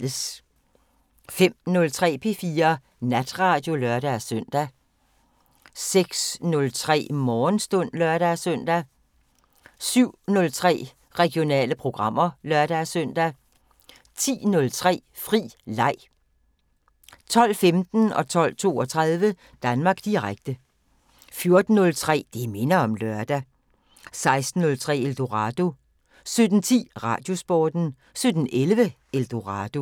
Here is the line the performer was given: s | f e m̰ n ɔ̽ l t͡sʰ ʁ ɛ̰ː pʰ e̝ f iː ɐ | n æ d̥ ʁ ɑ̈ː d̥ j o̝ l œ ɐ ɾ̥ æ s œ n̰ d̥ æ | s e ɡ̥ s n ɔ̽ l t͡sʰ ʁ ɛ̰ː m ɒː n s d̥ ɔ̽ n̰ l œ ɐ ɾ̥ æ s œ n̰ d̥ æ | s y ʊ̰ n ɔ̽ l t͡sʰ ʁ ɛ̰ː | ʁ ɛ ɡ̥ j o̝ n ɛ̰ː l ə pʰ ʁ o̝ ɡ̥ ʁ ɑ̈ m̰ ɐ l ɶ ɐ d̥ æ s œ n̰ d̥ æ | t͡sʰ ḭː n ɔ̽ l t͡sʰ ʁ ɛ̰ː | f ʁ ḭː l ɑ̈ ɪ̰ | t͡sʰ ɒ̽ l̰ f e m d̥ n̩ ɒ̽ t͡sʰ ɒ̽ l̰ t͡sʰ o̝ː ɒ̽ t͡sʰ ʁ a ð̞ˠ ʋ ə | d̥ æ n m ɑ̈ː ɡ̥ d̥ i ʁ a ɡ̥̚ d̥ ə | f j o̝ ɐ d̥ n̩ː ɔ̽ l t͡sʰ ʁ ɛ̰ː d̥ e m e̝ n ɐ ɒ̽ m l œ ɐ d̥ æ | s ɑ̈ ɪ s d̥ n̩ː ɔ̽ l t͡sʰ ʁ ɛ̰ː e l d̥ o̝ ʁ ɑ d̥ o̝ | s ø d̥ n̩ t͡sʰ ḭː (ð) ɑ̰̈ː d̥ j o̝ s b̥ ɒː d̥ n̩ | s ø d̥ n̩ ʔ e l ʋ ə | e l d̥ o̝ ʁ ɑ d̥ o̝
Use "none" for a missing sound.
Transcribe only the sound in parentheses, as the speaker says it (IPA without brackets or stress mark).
ʁ